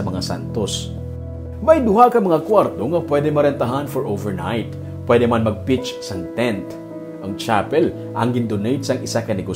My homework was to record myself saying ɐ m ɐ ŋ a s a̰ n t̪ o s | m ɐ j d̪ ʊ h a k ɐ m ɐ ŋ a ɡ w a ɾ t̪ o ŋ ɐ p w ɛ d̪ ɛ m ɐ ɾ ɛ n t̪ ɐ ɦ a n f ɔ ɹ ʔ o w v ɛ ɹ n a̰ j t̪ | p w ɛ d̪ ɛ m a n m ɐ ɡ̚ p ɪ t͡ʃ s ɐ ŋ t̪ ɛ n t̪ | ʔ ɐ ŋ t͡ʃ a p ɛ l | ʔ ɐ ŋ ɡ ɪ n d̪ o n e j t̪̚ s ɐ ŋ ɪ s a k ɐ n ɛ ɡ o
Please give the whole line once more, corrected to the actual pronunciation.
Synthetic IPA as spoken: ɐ m ɐ ŋ a s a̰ n t̪ o s | m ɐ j d̪ ʊ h a k ɐ m ɐ ŋ a k w a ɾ t̪ o ŋ ɐ p w ɛ d̪ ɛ m ɐ ɾ ɛ n t̪ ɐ ɦ a n f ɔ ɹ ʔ o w v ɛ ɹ n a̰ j t̪ | p w ɛ d̪ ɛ m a n m ɐ ɡ̚ p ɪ t͡ʃ s ɐ ŋ t̪ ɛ n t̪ | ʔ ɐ ŋ t͡ʃ a p ɛ l | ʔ ɐ ŋ ɡ ɪ n d̪ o n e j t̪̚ s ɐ ŋ ɪ s a k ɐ n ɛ ɡ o